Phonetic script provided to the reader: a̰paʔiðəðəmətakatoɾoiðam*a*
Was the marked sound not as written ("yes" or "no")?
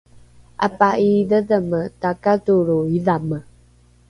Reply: yes